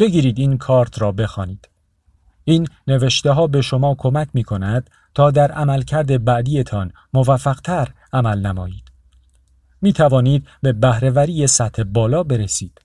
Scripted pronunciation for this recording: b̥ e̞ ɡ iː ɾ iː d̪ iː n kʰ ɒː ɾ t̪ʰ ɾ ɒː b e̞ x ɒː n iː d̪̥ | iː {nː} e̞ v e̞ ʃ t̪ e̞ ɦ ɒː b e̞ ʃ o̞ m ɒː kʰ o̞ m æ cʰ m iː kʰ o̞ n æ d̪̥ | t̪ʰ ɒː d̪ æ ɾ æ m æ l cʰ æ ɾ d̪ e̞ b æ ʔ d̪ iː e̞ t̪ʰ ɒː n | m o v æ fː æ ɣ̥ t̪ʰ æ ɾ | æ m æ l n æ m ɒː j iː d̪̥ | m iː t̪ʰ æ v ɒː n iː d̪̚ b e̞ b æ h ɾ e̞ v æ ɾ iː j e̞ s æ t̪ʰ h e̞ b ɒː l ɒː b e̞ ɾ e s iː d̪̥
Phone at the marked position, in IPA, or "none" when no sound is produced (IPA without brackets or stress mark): nː